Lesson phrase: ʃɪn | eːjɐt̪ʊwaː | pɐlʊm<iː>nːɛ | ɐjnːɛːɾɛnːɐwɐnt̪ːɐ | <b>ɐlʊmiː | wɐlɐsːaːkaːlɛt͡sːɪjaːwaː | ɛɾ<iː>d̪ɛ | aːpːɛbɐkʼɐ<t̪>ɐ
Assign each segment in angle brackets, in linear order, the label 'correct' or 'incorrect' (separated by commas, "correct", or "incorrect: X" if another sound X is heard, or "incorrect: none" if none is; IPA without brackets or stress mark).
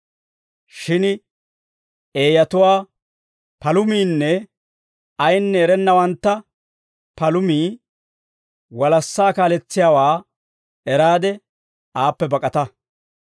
correct, incorrect: p, incorrect: aː, correct